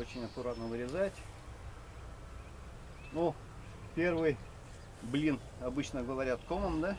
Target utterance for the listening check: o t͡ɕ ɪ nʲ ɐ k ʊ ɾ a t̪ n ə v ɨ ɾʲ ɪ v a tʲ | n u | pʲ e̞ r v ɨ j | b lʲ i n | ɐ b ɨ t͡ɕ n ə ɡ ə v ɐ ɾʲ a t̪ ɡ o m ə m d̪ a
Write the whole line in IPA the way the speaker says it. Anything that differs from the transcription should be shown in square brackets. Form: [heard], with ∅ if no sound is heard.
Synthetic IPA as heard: o t͡ɕ ɪ nʲ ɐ k ʊ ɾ a t̪ n ə v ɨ ɾʲ ɪ [z] a tʲ | n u | pʲ e̞ r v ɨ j | b lʲ i n | ɐ b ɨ t͡ɕ n ə ɡ ə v ɐ ɾʲ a t̪ [k] o m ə m d̪ a